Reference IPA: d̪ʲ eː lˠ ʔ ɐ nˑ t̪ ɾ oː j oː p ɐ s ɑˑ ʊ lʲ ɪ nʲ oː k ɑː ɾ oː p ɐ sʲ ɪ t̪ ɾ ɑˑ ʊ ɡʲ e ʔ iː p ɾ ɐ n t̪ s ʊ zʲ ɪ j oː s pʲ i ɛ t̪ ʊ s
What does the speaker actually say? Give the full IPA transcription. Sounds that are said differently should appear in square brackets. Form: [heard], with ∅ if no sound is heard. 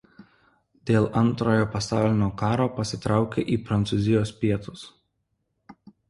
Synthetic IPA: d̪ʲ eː lˠ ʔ ɐ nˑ t̪ ɾ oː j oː p ɐ s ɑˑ ʊ lʲ ɪ nʲ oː k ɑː ɾ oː p ɐ sʲ ɪ t̪ ɾ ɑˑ ʊ [kʲ] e ʔ iː p ɾ ɐ n t̪ s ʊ zʲ ɪ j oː s pʲ i ɛ t̪ ʊ s

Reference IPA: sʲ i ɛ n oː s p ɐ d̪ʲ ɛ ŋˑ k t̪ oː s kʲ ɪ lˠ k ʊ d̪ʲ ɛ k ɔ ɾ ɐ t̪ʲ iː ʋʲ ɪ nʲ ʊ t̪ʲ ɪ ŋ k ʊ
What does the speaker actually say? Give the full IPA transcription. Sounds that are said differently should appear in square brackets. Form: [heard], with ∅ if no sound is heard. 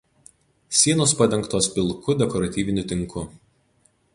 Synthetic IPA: sʲ i ɛ n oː s p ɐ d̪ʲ ɛ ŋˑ k t̪ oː s [pʲ] ɪ lˠ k ʊ d̪ʲ ɛ k ɔ ɾ ɐ t̪ʲ iː ʋʲ ɪ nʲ ʊ t̪ʲ ɪ ŋ k ʊ

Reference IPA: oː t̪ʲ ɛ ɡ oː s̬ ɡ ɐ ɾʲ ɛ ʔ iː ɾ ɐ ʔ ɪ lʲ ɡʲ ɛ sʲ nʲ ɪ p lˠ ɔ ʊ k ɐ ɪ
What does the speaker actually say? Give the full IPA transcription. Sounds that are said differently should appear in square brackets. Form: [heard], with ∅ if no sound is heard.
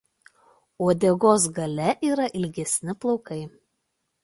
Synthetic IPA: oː [d̪ʲ] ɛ ɡ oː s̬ ɡ ɐ [lʲ] ɛ ʔ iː ɾ ɐ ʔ ɪ lʲ ɡʲ ɛ sʲ nʲ ɪ p lˠ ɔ ʊ k ɐ ɪ

